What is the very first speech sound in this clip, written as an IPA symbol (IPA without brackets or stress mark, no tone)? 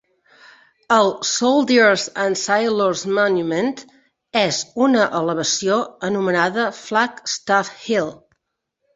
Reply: ə